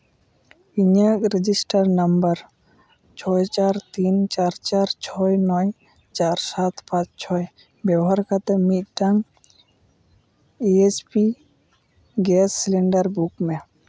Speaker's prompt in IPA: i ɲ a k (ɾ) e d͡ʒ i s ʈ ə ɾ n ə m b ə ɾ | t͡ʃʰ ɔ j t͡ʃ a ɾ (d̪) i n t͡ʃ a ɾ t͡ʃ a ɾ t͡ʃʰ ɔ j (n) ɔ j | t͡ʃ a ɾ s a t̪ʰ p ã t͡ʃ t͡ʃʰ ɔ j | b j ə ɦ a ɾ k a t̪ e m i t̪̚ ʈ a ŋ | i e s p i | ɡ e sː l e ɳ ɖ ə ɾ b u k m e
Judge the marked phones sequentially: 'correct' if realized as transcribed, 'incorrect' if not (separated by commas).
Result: correct, incorrect, correct